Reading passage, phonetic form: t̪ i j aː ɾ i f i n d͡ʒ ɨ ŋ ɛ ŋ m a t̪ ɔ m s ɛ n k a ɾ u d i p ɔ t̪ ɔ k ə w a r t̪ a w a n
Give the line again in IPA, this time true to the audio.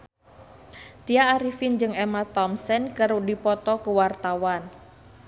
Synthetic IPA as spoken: t̪ i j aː ɾ i f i n d͡ʒ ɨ ŋ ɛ m a t̪ ɔ m s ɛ n k ə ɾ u d i p ɔ t̪ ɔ k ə w a r t̪ a w a n